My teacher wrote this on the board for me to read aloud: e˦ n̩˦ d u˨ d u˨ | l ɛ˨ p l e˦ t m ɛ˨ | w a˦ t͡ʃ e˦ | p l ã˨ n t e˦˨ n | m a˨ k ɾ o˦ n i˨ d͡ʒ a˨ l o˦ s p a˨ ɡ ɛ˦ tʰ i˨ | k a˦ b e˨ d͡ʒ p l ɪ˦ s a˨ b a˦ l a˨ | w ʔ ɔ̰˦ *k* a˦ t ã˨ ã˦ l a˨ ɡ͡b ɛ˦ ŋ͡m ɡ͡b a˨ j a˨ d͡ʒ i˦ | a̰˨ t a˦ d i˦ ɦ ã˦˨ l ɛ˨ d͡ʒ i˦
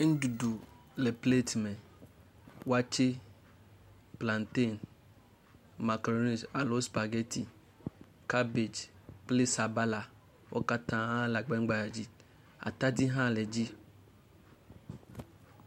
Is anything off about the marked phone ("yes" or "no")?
no